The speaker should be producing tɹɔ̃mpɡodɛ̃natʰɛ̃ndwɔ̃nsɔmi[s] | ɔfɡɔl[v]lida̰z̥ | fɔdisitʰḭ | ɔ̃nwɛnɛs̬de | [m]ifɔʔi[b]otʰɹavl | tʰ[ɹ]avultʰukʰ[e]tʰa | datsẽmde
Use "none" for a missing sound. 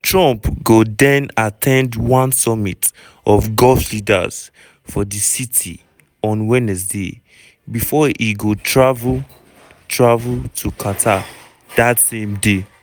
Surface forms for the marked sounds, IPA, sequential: t, f, b, ɡ, ɹ, a

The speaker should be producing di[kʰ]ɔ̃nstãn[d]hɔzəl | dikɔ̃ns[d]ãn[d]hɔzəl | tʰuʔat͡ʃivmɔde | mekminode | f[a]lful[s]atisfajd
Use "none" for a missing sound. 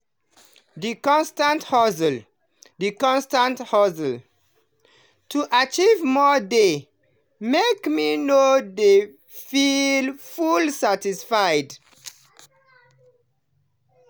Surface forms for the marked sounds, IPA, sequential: k, t, t, t, i, s

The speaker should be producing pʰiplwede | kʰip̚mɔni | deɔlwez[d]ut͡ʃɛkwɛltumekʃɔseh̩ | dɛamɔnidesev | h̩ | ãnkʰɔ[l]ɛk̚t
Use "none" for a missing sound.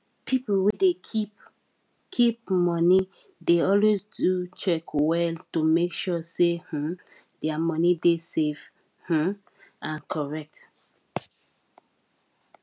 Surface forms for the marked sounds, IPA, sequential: d, ɹ

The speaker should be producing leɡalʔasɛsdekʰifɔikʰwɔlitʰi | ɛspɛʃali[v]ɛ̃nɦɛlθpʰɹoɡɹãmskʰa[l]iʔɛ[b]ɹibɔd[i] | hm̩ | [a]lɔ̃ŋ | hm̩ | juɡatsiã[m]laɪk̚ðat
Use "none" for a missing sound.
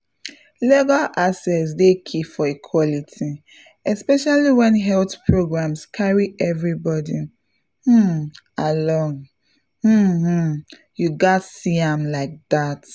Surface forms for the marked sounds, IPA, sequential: w, ɹ, v, i, a, m

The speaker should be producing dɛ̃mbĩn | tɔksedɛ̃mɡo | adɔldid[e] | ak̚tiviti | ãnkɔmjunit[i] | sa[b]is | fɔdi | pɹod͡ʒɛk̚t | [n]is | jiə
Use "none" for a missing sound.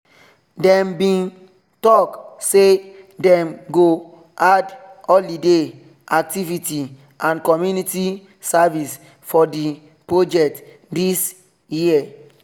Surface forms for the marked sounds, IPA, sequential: e, i, v, d

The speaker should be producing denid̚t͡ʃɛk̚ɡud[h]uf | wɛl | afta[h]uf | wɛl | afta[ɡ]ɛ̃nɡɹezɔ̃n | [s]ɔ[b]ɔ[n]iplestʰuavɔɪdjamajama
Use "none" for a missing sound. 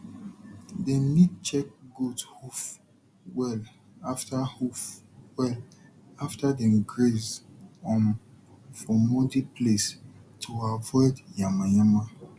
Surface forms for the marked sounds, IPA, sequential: h, h, d, f, m, d

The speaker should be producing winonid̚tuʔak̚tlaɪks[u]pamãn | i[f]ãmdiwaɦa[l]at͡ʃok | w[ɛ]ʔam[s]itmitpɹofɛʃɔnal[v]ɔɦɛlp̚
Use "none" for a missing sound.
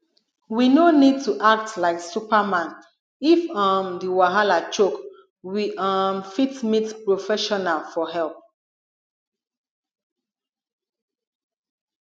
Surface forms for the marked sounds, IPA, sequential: u, f, l, i, f, f

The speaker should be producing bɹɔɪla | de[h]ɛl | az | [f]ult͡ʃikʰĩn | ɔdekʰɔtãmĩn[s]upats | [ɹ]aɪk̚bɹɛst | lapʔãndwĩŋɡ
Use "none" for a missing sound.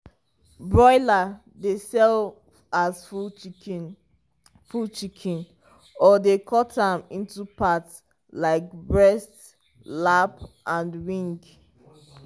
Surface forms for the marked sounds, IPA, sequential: s, f, t, l

